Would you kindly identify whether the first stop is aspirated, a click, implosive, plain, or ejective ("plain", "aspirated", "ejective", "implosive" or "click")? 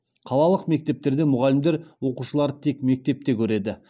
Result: aspirated